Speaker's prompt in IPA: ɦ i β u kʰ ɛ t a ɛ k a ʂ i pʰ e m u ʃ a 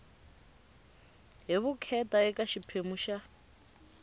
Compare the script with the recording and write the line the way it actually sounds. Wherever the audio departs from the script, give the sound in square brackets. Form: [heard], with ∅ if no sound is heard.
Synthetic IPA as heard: ɦ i β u kʰ ɛ t a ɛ k a [ʃ] i pʰ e m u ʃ a